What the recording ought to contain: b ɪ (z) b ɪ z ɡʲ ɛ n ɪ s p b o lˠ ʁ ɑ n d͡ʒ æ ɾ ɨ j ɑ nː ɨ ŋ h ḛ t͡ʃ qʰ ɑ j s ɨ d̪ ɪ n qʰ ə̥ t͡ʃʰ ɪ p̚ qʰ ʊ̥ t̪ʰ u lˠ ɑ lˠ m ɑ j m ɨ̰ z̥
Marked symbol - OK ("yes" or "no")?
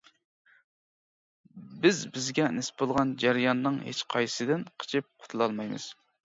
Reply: yes